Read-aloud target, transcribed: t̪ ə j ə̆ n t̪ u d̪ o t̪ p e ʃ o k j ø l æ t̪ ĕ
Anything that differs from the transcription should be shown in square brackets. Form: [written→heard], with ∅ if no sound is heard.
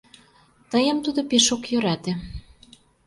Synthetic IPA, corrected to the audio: t̪ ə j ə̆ [n→m] t̪ u d̪ o [t̪→∅] p e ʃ o k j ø [l→ɾ] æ t̪ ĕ